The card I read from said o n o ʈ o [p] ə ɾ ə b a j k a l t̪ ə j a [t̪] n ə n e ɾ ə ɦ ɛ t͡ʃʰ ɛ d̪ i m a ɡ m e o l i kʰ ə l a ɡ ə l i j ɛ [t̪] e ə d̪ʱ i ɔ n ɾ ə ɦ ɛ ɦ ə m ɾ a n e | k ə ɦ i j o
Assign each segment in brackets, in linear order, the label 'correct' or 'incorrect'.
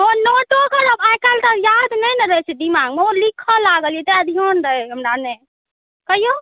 incorrect, incorrect, correct

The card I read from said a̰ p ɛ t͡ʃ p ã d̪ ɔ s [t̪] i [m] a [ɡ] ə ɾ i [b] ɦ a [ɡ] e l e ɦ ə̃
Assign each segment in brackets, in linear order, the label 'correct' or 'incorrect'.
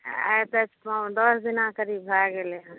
incorrect, incorrect, incorrect, correct, correct

